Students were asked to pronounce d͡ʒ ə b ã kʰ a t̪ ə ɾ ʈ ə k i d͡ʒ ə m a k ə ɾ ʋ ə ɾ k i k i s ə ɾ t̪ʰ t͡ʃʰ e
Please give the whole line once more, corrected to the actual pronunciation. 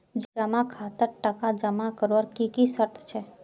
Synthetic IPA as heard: d͡ʒ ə m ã kʰ a t̪ ə ɾ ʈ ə k a d͡ʒ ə m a k ə ɾ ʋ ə ɾ k i k i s ə ɾ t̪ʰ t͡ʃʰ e